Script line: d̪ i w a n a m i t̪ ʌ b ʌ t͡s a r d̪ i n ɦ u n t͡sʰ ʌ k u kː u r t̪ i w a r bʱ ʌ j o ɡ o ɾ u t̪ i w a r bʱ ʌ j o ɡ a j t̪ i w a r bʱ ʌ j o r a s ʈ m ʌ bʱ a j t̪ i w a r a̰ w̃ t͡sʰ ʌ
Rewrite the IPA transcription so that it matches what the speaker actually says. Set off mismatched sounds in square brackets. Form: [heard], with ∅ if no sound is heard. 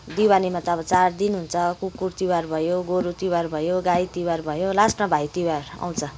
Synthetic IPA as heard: d̪ i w a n [i] m [a] t̪ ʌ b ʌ t͡s a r d̪ i n ɦ u n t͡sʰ ʌ k u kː u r t̪ i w a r bʱ ʌ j o ɡ o ɾ u t̪ i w a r bʱ ʌ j o ɡ a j t̪ i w a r bʱ ʌ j o [l] a s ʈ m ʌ bʱ a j t̪ i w a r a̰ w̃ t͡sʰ ʌ